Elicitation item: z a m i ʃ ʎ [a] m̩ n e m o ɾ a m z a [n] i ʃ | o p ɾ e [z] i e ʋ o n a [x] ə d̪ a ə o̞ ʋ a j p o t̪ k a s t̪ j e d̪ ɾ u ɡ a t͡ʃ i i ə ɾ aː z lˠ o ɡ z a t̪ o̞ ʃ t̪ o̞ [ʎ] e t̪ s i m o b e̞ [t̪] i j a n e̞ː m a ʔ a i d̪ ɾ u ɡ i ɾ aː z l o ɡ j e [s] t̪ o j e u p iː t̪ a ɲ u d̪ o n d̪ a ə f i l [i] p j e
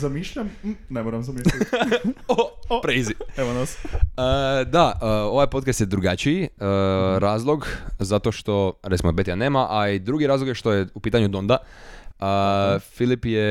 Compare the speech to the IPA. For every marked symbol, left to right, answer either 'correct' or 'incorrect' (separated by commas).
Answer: correct, incorrect, correct, incorrect, incorrect, correct, incorrect, correct